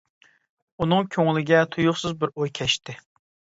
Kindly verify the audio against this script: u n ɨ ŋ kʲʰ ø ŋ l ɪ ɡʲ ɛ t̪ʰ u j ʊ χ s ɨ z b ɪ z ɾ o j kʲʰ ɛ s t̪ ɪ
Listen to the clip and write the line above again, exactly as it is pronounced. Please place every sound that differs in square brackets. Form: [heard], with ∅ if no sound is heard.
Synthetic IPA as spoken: u n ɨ ŋ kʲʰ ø ŋ l ɪ ɡʲ ɛ t̪ʰ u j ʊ χ s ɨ z b ɪ [∅] ɾ o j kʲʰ ɛ [ʃ] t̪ ɪ